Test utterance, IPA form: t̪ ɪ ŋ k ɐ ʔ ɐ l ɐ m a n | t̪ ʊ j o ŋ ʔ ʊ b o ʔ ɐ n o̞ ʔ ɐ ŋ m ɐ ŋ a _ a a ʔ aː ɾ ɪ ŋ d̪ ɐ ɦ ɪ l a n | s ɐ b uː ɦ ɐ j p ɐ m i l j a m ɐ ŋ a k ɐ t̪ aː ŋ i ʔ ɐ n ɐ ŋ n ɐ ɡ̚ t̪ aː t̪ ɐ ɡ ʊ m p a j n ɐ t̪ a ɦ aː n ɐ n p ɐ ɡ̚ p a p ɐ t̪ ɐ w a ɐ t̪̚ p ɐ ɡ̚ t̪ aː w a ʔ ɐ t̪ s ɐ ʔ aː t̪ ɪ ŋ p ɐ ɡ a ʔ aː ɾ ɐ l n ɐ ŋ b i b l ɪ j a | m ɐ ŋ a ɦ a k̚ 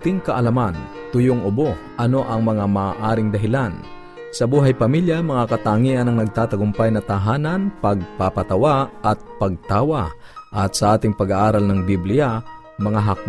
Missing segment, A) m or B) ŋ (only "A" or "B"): A